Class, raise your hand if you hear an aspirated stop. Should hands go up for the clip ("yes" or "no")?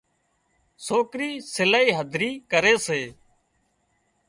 no